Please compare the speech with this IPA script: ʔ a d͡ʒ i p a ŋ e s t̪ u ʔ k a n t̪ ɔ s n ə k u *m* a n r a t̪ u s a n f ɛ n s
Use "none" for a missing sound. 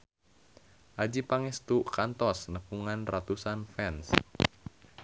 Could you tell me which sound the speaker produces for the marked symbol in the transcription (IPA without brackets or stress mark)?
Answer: ŋ